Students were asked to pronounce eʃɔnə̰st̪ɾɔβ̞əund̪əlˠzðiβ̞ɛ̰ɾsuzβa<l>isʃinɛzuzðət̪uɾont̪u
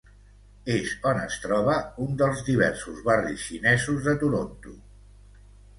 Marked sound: incorrect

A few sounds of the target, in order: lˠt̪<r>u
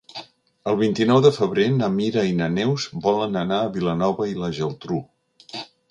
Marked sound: incorrect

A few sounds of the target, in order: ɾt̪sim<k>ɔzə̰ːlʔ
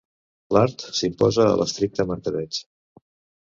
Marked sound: incorrect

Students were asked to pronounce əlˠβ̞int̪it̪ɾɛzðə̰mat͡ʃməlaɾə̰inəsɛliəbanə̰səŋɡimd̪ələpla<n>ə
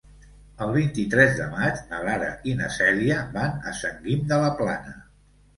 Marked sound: correct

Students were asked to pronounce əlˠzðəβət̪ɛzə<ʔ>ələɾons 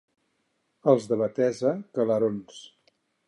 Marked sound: incorrect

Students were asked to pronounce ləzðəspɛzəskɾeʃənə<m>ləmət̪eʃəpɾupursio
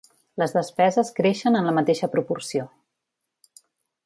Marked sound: incorrect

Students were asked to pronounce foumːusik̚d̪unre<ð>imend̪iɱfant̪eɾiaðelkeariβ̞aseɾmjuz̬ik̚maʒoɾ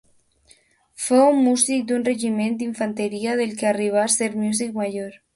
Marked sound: incorrect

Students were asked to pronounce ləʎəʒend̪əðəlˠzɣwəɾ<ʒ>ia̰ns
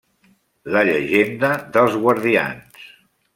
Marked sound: incorrect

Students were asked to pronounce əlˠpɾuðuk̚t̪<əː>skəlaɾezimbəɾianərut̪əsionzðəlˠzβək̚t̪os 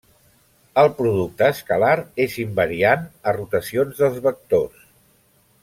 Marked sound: correct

